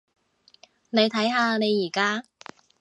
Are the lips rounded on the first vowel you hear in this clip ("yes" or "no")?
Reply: no